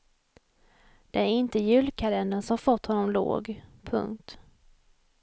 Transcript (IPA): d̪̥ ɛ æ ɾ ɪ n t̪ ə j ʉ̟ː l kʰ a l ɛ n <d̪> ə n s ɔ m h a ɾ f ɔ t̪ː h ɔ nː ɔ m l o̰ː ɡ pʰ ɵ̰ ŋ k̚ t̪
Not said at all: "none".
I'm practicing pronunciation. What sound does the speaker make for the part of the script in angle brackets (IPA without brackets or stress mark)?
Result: d̪